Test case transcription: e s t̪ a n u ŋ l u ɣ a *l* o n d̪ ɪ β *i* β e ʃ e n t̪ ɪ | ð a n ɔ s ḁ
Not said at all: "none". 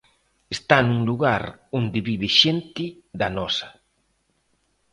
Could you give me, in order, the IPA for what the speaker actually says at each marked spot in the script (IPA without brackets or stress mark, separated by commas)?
ɾ, i